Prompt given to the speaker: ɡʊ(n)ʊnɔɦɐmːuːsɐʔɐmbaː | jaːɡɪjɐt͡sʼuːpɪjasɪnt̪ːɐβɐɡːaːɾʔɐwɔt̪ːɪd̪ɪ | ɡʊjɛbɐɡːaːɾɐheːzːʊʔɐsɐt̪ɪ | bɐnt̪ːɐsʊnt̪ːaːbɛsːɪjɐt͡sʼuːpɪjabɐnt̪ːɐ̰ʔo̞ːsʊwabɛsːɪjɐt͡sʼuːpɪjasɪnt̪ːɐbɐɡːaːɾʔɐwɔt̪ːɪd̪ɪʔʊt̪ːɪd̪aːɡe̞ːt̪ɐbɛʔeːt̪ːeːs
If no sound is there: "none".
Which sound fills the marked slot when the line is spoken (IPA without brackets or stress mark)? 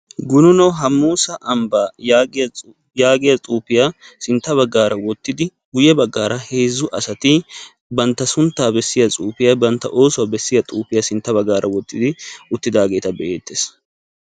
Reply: n